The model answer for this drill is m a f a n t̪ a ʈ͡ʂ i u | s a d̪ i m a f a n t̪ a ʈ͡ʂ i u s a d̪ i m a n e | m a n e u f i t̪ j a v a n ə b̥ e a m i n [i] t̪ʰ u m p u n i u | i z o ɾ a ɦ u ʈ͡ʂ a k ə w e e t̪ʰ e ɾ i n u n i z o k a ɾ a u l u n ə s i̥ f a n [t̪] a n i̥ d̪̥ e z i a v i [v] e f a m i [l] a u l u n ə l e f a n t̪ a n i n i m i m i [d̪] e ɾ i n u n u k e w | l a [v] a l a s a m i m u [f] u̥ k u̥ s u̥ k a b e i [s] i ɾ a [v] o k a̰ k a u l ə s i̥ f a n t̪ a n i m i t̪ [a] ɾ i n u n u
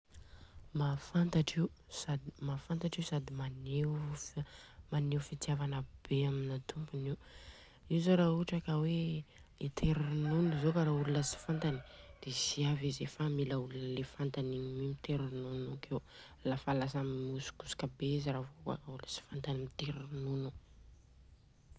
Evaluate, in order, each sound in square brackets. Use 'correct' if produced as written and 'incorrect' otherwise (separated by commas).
incorrect, correct, incorrect, correct, incorrect, incorrect, incorrect, incorrect, correct, incorrect